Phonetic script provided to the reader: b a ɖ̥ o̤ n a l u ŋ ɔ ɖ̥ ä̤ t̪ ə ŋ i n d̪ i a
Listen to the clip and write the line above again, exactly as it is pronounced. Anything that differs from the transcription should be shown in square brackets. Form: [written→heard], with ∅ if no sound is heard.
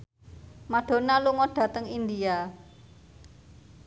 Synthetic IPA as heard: [b→m] a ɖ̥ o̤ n a l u ŋ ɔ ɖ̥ ä̤ t̪ ə ŋ i n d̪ i a